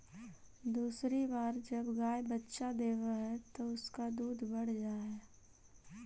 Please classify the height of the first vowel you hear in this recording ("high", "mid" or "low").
high